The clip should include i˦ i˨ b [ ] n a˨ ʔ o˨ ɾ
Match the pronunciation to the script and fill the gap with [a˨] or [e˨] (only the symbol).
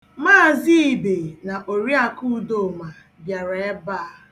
e˨